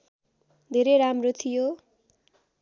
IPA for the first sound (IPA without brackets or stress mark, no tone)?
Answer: d̪ʱ